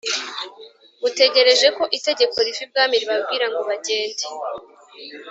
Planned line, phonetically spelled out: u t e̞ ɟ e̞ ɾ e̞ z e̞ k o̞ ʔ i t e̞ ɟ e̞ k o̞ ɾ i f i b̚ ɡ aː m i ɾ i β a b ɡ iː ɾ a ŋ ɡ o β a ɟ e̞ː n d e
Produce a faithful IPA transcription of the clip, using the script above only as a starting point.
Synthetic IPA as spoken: u t e̞ ɟ e̞ ɾ e̞ ʒ e̞ k o̞ ʔ i t e̞ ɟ e̞ k o̞ ɾ i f i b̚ ɡ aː m i ɾ i β a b ɡ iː ɾ a ŋ ɡ o β a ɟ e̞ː n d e